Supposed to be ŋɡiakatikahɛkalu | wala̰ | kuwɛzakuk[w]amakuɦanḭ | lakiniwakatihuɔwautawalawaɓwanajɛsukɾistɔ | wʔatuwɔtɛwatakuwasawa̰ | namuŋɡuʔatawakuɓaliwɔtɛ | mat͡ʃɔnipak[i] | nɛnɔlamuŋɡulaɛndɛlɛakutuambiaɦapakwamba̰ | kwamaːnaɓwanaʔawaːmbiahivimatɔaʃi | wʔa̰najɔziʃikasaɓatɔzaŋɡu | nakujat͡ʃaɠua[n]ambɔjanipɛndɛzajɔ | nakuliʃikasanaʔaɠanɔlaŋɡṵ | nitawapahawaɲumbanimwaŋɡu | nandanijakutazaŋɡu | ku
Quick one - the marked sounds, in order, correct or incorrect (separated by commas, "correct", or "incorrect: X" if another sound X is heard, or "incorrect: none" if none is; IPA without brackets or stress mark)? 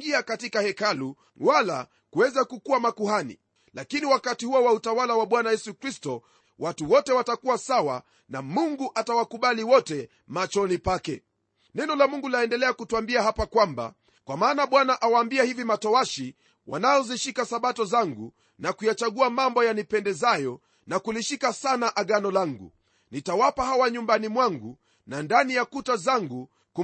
incorrect: u, incorrect: ɛ, incorrect: m